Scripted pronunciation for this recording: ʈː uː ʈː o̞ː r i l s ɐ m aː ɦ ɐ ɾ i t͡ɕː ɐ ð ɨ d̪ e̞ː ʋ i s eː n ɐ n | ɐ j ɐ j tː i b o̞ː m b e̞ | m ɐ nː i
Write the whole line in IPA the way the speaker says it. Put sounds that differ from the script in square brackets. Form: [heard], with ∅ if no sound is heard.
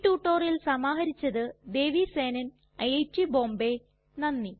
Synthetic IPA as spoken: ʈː uː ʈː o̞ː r i l s ɐ m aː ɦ ɐ ɾ i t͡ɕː ɐ ð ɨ d̪ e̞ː ʋ i s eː n ɐ n | ɐ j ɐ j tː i b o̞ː m b e̞ | [n] ɐ nː i